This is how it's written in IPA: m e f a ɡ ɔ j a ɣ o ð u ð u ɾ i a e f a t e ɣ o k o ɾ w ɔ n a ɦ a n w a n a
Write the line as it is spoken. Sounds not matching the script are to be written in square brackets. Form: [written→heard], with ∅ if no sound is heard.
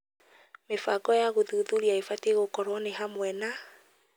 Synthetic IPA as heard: m e f a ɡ ɔ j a ɣ o ð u ð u ɾ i a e f a t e ɣ o k [o→ɔ] ɾ w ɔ n [a→e] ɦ a [n→m] w [a→ɛ] n a